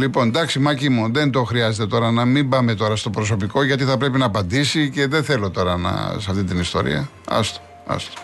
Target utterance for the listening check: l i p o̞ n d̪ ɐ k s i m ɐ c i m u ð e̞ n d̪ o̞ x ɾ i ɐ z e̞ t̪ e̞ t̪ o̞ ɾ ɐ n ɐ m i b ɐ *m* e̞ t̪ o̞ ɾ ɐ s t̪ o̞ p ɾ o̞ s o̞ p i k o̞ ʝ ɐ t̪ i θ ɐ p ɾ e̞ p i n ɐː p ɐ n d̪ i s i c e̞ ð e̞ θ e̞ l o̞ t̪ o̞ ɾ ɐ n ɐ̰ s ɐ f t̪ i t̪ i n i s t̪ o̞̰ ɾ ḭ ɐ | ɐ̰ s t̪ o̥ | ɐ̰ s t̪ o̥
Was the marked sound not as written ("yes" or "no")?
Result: no